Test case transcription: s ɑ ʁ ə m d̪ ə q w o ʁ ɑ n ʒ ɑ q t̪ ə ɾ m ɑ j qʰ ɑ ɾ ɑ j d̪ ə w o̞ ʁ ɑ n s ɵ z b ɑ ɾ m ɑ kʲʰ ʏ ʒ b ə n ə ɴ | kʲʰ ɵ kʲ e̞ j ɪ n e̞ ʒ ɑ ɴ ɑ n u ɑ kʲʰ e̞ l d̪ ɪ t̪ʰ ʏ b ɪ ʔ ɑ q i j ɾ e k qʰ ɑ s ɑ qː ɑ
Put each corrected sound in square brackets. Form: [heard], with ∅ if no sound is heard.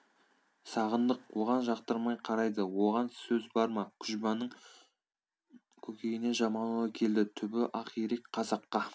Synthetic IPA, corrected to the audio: s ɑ ʁ ə [n] d̪ ə q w o ʁ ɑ n ʒ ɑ q t̪ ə ɾ m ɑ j qʰ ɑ ɾ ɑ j d̪ ə w o̞ ʁ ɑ n s ɵ z b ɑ ɾ m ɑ kʲʰ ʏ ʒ b [ɑ] n ə ɴ | kʲʰ ɵ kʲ e̞ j ɪ n e̞ ʒ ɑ [m] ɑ n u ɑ kʲʰ e̞ l d̪ ɪ t̪ʰ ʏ b ɪ ʔ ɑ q i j ɾ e k qʰ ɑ [z] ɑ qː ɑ